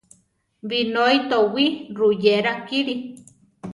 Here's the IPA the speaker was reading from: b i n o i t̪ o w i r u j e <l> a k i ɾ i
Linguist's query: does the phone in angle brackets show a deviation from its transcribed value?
yes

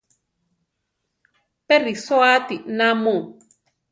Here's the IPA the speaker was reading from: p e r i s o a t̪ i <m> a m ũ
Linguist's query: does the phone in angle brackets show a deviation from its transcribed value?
yes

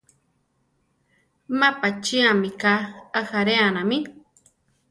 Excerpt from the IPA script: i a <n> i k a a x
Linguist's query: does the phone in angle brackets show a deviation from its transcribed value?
yes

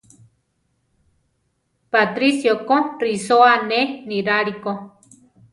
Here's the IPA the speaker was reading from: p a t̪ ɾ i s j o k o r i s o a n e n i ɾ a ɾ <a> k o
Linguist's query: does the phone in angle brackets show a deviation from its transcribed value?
yes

